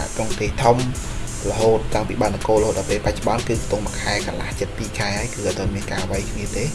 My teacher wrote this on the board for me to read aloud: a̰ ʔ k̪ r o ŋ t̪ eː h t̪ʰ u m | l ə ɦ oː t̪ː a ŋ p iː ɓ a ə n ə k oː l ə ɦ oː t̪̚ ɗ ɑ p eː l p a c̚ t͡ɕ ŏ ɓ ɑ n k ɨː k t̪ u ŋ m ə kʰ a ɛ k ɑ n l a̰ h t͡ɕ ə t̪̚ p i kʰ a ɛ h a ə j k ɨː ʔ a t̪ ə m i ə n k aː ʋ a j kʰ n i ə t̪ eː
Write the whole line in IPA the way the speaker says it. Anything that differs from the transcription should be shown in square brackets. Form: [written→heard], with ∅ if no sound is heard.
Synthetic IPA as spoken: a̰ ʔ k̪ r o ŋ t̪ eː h t̪ʰ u m | l ə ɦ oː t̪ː a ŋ p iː ɓ a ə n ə k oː l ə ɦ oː t̪̚ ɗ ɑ p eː l p a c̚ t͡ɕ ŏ ɓ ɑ n k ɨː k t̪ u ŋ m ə kʰ a ɛ k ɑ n l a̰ h t͡ɕ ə t̪̚ p [i→iː] kʰ a ɛ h a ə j k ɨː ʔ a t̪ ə m i ə n k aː ʋ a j kʰ n i ə t̪ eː